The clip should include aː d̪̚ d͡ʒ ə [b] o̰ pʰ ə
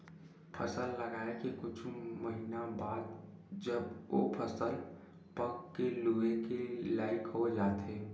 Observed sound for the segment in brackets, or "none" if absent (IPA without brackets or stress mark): b